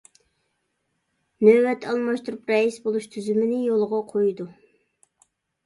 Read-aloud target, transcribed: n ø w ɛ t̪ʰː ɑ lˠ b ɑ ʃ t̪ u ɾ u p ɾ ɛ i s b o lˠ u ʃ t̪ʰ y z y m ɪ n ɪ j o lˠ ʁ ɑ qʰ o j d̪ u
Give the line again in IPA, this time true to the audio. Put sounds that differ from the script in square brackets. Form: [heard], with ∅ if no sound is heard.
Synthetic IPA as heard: n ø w ɛ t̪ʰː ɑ lˠ [m] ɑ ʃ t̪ u ɾ u p ɾ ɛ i s b o lˠ u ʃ t̪ʰ y z y m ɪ n ɪ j o lˠ ʁ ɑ qʰ o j d̪ u